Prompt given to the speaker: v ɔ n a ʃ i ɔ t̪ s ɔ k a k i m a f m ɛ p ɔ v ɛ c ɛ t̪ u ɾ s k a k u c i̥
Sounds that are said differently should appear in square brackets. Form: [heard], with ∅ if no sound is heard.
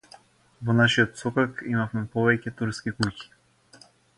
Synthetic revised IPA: v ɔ n a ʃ i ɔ t̪ s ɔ k a k i m a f m ɛ p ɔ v ɛ c ɛ t̪ u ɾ s k [i] k u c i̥